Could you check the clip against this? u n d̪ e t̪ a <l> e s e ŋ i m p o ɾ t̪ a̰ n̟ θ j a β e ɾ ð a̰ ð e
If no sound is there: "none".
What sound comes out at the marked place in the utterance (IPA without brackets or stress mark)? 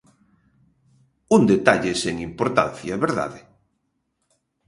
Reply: ʎ